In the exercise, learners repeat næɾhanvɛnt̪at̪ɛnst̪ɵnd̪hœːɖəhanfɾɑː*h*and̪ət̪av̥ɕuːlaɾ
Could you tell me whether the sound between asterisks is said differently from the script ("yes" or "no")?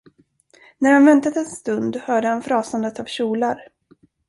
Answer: yes